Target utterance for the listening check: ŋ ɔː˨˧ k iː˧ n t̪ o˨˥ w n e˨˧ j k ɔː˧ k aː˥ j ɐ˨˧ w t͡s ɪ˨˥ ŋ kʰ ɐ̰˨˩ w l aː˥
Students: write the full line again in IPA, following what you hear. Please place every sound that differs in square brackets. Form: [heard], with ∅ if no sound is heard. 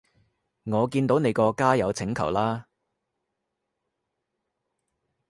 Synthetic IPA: ŋ ɔː˨˧ k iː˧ n t̪ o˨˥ w n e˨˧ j k ɔː˧ k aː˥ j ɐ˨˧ w [t͡sʰ] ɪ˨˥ ŋ kʰ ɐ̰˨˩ w l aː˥